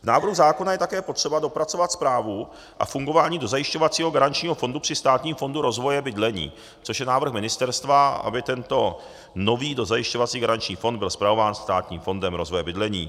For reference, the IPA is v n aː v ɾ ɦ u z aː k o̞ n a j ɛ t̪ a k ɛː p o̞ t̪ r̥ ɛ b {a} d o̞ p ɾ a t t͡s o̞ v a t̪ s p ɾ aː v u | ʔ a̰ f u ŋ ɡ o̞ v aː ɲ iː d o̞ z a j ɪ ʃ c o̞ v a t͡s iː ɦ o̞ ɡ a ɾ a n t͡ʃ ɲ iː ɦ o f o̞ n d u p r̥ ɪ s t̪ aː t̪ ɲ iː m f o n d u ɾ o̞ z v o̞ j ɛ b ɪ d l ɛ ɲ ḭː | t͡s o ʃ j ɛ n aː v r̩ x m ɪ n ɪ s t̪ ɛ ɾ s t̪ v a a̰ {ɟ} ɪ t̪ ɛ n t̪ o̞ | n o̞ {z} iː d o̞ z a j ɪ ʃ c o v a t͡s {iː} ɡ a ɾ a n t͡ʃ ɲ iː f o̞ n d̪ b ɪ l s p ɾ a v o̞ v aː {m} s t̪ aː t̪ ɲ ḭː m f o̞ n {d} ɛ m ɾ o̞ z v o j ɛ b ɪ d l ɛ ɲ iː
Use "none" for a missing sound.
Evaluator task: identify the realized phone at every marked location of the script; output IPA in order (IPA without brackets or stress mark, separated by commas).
a, b, v, iː, n, d